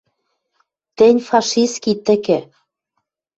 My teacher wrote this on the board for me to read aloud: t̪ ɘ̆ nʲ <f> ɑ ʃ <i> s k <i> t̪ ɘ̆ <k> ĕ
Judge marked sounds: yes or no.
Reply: yes, yes, yes, yes

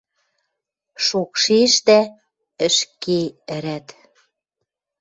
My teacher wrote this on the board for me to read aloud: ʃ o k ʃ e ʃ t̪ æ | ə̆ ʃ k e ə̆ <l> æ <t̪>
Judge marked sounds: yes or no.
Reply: no, yes

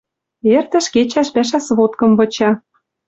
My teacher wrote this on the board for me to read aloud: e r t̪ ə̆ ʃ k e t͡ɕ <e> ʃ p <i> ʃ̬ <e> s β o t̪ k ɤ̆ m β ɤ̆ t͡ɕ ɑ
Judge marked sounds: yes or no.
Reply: no, no, no

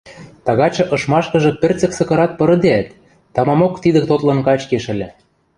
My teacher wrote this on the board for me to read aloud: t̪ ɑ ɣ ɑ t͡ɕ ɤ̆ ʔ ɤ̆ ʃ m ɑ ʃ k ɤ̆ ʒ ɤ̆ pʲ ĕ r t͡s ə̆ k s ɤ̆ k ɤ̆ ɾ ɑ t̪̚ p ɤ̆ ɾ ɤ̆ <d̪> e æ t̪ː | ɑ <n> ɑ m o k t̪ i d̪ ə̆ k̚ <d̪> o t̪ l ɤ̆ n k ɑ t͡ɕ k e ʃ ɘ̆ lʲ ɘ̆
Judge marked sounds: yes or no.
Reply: yes, no, no

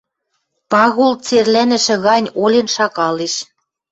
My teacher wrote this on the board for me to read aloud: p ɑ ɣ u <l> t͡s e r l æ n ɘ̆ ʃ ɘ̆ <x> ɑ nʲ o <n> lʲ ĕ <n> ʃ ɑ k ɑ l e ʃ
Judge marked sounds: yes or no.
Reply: yes, no, no, yes

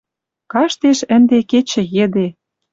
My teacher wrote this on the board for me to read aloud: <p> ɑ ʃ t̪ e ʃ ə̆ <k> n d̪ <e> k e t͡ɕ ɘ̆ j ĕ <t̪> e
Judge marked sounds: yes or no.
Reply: no, no, yes, no

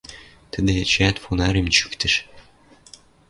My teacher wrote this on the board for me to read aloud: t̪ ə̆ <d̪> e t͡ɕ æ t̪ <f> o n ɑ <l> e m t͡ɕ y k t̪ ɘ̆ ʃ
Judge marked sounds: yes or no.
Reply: yes, yes, no

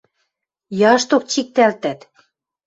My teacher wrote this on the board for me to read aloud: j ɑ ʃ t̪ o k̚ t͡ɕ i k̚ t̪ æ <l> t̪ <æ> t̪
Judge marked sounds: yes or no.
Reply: yes, yes

